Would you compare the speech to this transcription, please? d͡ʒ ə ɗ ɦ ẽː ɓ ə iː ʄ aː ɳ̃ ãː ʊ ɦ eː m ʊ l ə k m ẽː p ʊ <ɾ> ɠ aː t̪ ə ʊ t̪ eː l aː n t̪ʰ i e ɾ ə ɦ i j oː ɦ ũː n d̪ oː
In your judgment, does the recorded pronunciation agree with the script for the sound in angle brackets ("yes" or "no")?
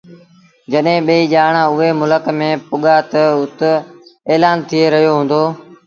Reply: no